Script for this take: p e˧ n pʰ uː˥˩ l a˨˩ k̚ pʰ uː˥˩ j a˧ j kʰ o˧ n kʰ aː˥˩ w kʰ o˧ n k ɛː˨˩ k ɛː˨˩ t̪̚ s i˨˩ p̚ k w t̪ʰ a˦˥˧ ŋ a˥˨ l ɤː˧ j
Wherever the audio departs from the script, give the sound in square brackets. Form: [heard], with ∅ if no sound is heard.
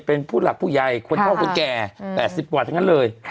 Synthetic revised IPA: p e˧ n pʰ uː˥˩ l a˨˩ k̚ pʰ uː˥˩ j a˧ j kʰ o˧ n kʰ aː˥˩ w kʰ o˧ n k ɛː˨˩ [p] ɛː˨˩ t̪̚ s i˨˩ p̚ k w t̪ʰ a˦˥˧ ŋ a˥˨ l ɤː˧ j